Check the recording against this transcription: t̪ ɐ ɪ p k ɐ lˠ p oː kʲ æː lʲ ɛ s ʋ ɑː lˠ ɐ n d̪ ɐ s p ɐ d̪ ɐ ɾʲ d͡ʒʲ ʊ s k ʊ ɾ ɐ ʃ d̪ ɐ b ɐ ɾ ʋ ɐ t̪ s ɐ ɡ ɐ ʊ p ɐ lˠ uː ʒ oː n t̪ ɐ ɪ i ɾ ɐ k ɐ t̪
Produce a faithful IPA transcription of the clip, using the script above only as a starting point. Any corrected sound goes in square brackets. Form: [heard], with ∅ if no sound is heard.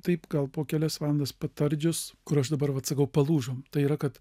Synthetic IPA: t̪ ɐ ɪ p [ɡ] ɐ lˠ p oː kʲ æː lʲ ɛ s ʋ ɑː lˠ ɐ n d̪ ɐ s p ɐ [t̪] ɐ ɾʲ d͡ʒʲ ʊ s k ʊ ɾ ɐ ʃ d̪ ɐ b ɐ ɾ ʋ ɐ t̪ s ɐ [k] ɐ ʊ p ɐ lˠ uː ʒ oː [m] t̪ ɐ ɪ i ɾ ɐ k ɐ t̪